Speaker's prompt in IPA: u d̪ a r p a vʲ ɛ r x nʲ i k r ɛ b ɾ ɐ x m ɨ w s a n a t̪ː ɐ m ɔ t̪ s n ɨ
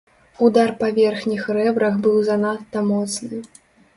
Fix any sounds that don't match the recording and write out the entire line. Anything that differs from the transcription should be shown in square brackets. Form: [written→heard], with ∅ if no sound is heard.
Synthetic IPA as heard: u d̪ a r p a vʲ ɛ r x nʲ i [k→x] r ɛ b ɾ ɐ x [m→b] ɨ w [s→z] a n a t̪ː ɐ m ɔ t̪ s n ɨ